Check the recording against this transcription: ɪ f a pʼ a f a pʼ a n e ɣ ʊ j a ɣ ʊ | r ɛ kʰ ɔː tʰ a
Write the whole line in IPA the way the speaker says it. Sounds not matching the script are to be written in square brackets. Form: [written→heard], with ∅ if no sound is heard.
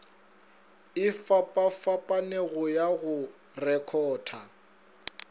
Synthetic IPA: ɪ f a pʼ a f a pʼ a n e ɣ ʊ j a ɣ ʊ | r ɛ kʰ ɔː tʰ a